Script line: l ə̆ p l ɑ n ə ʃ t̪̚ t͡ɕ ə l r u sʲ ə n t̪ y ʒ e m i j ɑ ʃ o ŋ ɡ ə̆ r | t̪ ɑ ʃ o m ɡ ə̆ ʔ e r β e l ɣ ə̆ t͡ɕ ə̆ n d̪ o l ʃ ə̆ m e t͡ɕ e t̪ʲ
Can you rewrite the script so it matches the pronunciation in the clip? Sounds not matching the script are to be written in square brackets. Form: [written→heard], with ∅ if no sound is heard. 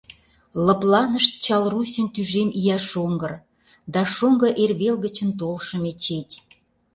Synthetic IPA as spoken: l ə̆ p l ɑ n ə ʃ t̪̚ t͡ɕ [ə→ɑ] l r u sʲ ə n t̪ y ʒ e m i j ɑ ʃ o ŋ ɡ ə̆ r | [t̪→d̪] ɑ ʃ o [m→ŋ] ɡ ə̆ ʔ e r β e l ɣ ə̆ t͡ɕ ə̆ n [d̪→t̪] o l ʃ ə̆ m e t͡ɕ e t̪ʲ